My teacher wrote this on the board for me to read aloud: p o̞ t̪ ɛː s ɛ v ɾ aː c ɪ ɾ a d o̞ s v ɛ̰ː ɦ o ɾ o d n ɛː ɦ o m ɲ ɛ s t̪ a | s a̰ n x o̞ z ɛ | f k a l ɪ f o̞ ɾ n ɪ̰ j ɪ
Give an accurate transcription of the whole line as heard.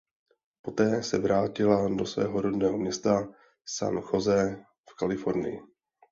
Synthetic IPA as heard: p o̞ t̪ ɛː s ɛ v ɾ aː c ɪ l a d o̞ s v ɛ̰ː ɦ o ɾ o d n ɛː ɦ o m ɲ ɛ s t̪ a | s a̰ n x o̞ z ɛ | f k a l ɪ f o̞ ɾ n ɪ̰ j ɪ